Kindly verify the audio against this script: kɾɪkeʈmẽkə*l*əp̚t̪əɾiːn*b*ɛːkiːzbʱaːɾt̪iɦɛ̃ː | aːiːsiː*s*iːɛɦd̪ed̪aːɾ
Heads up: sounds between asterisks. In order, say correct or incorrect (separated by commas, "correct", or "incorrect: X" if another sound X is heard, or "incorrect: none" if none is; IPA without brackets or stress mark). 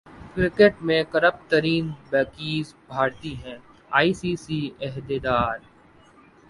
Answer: incorrect: ɾ, correct, correct